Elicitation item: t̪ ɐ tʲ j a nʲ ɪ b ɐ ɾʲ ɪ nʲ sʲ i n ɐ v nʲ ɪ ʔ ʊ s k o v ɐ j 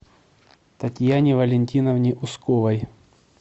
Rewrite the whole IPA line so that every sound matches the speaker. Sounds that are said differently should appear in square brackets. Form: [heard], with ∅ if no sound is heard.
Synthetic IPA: t̪ ɐ tʲ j a nʲ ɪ [v] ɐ [lʲ] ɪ nʲ [tʲ] i n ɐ v nʲ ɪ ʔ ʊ s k o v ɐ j